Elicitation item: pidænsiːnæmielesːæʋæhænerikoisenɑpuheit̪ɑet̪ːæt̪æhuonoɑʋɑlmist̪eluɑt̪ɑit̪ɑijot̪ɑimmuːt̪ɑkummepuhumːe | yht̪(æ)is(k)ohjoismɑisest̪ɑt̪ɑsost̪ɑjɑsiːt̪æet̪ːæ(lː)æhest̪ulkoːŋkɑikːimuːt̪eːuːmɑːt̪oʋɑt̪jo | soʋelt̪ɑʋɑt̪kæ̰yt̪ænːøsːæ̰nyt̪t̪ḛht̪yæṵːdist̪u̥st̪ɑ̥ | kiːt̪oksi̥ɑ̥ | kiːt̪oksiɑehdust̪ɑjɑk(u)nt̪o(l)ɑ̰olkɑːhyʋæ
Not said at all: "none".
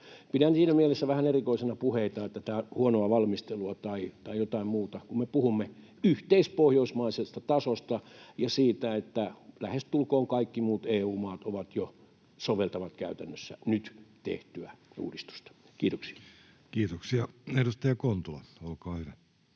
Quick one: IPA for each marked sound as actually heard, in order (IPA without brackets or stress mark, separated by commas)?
e, p, l, o, l